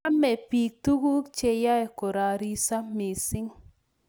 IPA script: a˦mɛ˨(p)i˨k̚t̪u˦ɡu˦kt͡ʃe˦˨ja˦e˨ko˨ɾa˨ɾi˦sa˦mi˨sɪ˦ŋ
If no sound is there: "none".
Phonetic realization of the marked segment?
p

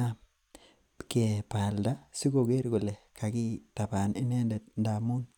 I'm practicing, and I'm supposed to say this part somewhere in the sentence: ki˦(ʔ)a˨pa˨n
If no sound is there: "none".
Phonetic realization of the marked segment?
t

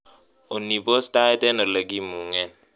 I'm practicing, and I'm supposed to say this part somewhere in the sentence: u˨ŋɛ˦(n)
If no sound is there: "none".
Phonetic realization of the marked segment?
n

